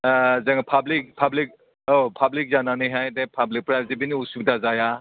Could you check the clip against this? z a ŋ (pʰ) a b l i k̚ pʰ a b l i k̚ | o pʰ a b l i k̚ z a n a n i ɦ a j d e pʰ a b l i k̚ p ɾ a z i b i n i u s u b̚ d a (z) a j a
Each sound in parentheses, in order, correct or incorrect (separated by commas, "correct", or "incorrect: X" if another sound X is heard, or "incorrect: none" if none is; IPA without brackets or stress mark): correct, correct